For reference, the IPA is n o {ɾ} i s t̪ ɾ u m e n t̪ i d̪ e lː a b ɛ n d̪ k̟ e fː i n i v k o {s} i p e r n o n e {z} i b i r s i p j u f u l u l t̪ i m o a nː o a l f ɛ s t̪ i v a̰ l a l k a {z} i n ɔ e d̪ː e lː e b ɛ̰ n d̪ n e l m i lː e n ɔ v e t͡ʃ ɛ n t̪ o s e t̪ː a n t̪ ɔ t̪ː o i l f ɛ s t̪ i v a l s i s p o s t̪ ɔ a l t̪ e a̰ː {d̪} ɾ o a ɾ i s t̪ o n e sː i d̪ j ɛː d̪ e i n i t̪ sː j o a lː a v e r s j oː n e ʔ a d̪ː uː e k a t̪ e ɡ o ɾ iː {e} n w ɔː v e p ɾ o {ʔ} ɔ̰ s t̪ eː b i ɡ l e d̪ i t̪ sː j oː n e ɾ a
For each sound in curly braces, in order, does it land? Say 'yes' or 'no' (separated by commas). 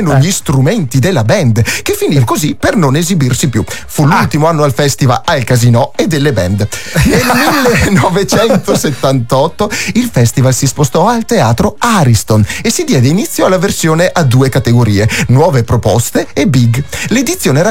no, no, yes, yes, no, yes, no